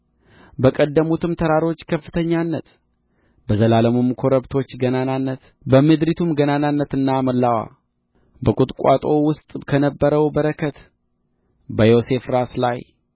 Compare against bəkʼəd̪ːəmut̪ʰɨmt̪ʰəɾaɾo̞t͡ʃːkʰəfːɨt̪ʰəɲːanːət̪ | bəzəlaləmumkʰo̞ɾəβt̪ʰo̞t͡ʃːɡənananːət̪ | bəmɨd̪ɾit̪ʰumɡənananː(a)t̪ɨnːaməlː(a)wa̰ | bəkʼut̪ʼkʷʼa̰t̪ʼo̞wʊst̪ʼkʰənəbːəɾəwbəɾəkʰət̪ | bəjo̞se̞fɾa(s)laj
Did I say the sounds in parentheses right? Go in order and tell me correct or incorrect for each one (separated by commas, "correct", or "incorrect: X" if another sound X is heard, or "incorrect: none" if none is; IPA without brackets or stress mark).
incorrect: ə, correct, correct